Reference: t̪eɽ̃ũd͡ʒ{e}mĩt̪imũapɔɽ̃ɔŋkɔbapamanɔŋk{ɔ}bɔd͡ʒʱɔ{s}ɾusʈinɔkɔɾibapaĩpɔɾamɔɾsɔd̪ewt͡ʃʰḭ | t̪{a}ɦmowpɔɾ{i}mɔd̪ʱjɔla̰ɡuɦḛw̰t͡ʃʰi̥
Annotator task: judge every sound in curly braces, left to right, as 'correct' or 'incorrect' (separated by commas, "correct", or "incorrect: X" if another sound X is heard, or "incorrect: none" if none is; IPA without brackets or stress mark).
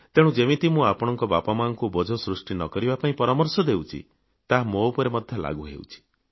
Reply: correct, incorrect: u, correct, correct, incorrect: e